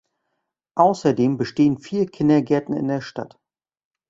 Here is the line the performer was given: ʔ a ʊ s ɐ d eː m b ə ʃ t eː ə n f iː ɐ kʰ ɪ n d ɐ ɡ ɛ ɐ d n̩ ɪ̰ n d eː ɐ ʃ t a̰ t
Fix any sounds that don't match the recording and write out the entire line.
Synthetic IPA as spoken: ʔ a ʊ s ɐ d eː m b ə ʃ t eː ə n f iː ɐ kʰ ɪ n d ɐ ɡ ɛ ɐ t n̩ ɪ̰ n d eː ɐ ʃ t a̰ t